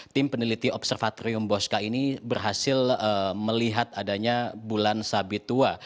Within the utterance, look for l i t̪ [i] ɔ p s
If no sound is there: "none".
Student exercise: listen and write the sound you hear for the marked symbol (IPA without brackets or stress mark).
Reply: i